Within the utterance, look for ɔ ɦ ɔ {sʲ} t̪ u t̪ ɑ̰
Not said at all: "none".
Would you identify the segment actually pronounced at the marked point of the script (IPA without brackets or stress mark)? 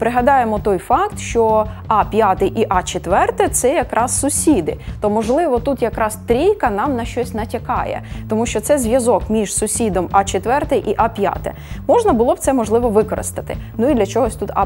sʲ